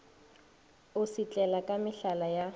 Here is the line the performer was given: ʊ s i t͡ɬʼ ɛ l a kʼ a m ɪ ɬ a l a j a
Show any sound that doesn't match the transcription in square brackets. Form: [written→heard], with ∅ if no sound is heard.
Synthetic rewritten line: ʊ s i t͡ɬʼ ɛ l a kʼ a m ɪ ɬ a l a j a

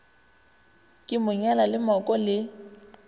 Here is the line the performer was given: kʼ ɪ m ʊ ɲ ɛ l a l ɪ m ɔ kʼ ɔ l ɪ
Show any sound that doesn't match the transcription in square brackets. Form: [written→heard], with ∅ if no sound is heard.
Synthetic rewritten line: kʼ ɪ m ʊ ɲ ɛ l a l ɪ m ɔ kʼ ɔ l ɪ

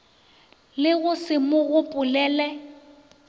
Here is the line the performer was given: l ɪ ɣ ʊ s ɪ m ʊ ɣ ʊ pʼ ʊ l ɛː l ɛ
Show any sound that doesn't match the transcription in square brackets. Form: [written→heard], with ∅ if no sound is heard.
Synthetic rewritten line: l ɪ ɣ ʊ s ɪ m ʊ ɣ ʊ pʼ ʊ l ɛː l ɛ

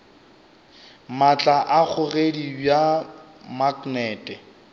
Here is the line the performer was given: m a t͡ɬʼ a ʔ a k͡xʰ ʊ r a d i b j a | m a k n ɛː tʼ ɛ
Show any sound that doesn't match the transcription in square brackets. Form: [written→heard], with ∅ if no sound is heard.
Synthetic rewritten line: m a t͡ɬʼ a ʔ a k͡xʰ ʊ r [a→e] d i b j a | m a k n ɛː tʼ ɛ

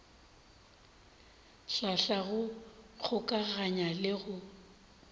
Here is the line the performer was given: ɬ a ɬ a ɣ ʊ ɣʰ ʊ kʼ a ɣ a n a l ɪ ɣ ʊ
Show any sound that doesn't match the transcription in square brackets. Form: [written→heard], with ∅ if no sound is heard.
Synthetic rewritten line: ɬ a ɬ a ɣ ʊ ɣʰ ʊ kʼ a ɣ a [n→ɲ] a l ɪ ɣ ʊ

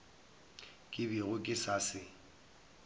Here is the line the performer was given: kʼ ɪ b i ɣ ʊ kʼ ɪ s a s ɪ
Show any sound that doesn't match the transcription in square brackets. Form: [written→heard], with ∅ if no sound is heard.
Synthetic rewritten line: kʼ ɪ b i ɣ ʊ kʼ ɪ s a s ɪ

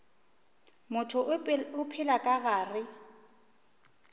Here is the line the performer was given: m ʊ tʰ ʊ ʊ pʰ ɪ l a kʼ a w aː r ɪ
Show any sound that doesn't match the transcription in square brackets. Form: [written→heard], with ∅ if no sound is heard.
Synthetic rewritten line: m ʊ tʰ ʊ ʊ pʰ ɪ l a kʼ a [w→ɣ] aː r ɪ

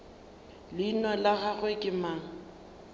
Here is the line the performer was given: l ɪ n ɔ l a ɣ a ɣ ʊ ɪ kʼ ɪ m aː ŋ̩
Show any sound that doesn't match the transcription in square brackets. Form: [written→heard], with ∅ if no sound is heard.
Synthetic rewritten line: l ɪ n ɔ l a ɣ a ɣ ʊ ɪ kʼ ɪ m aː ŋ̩

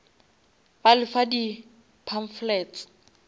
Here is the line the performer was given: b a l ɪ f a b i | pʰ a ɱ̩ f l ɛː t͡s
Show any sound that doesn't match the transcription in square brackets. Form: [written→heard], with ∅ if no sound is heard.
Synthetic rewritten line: b a l ɪ f a [b→d] i | pʰ a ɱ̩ f l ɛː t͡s

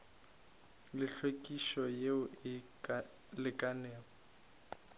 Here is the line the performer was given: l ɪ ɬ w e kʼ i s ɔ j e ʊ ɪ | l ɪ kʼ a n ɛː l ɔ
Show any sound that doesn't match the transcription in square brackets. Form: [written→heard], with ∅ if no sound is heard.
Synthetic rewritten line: l ɪ ɬ w e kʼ i [s→ʃ] ɔ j e ʊ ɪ | l ɪ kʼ a n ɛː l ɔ

